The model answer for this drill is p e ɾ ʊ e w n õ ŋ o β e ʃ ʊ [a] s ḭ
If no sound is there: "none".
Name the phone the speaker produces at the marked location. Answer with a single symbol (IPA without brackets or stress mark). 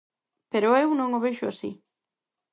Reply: a